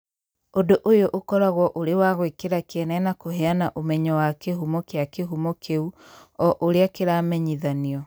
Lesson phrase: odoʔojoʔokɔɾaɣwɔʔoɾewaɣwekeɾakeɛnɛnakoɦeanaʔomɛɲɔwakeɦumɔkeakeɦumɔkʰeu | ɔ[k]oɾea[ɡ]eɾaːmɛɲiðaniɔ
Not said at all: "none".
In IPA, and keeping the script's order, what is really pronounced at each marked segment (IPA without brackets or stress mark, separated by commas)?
ʔ, k